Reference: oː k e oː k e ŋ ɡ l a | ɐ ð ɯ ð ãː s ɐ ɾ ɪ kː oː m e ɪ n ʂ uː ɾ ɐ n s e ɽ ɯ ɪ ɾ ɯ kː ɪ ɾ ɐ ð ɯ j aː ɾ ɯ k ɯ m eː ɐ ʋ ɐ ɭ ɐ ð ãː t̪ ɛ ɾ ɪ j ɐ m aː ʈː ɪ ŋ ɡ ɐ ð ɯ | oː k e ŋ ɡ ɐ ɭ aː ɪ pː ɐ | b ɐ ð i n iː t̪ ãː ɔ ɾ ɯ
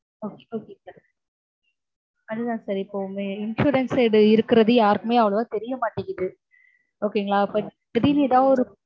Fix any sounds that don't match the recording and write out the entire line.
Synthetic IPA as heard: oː k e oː k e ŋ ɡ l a | ɐ ð ɯ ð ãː s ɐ ɾ ɪ pː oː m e ɪ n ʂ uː ɾ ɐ n s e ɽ ɯ ɪ ɾ ɯ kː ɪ ɾ ɐ ð ɯ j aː ɾ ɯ k ɯ m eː ɐ ʋ ɐ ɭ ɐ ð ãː t̪ ɛ ɾ ɪ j ɐ m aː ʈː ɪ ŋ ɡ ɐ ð ɯ | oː k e ŋ ɡ ɐ ɭ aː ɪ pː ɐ | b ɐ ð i n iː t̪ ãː ɔ ɾ ɯ

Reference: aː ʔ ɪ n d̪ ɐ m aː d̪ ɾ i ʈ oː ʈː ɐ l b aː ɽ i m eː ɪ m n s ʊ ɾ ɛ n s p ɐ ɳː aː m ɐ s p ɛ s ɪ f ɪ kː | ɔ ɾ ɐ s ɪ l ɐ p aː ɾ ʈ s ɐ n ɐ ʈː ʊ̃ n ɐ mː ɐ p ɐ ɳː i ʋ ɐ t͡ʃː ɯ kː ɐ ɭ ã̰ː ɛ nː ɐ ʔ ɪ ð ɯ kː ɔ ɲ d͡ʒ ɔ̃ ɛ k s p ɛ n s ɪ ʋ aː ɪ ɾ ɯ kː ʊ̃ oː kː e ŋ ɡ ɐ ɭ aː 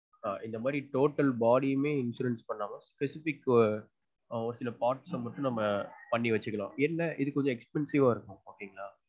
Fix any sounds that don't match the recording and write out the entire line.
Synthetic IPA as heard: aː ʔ ɪ n d̪ ɐ m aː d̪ ɾ i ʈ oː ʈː ɐ l b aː ɽ i m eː ɪ n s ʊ ɾ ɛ n s p ɐ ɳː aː m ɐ s p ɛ s ɪ f ɪ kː | ɔ ɾ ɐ s ɪ l ɐ p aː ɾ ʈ s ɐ m ɐ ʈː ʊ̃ n ɐ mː ɐ p ɐ ɳː i ʋ ɐ t͡ʃː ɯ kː ɐ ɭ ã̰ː ɛ nː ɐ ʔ ɪ ð ɯ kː ɔ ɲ d͡ʒ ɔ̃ ɛ k s p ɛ n s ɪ ʋ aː ɪ ɾ ɯ kː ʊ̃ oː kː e ŋ ɡ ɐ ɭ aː

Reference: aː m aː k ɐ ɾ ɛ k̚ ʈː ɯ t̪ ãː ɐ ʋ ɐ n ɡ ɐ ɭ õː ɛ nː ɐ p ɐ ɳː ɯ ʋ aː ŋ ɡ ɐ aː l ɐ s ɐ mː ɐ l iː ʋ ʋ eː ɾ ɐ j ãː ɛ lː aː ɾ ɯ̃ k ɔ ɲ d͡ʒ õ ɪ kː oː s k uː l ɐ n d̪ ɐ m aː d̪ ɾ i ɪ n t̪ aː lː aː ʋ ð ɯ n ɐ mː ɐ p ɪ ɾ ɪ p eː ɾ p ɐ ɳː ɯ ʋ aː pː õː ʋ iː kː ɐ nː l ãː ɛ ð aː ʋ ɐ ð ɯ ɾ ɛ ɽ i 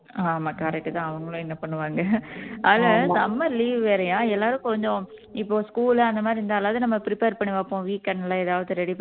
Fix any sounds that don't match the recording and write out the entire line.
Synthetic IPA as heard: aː m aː k ɐ ɾ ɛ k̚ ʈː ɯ t̪ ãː ɐ ʋ ɐ ŋ ɡ ɐ ɭ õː ɛ nː ɐ p ɐ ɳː ɯ ʋ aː ŋ ɡ ɐ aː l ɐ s ɐ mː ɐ l iː ʋ ʋ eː ɾ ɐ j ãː ɛ lː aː ɾ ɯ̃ k ɔ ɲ d͡ʒ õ ɪ pː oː s k uː l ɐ n d̪ ɐ m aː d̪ ɾ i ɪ n d̪ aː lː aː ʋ ð ɯ n ɐ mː ɐ p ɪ ɾ ɪ p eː ɾ p ɐ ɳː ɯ ʋ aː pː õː ʋ iː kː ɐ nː l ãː ɛ ð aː ʋ ɐ ð ɯ ɾ ɛ ɽ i

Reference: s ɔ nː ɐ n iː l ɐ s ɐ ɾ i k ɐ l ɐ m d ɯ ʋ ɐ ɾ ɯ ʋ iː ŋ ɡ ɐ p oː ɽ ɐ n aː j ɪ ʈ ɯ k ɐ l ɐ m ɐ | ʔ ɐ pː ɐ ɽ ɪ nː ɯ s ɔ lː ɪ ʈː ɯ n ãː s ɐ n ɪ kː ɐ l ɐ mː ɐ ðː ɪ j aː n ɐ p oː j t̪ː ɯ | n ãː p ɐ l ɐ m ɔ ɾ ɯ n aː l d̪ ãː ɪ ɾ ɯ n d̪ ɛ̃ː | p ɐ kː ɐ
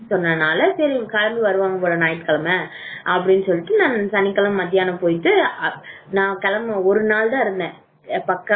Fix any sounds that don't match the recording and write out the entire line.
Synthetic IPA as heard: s ɔ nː ɐ n aː l ɐ s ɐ ɾ i k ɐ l ɐ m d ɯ ʋ ɐ ɾ ɯ ʋ aː ŋ ɡ ɐ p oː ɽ ɐ n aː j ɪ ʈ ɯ k ɐ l ɐ m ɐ | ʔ ɐ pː ɐ ɽ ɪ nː ɯ s ɔ lː ɪ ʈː ɯ n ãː s ɐ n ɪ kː ɐ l ɐ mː ɐ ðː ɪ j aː n ɐ p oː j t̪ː ɯ | n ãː k ɐ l ɐ m ɔ ɾ ɯ n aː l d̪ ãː ɪ ɾ ɯ n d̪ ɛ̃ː | p ɐ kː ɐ

